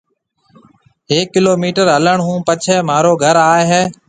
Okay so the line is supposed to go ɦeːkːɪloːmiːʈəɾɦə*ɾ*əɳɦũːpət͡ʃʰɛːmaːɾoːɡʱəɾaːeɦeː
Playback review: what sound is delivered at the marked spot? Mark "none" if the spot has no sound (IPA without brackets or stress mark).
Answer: l